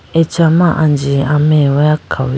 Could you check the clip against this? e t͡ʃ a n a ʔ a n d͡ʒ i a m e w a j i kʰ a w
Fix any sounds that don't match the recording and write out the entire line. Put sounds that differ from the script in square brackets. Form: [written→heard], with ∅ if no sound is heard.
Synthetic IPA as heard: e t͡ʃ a [n→m] a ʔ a n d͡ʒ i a m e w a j [i→a] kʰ a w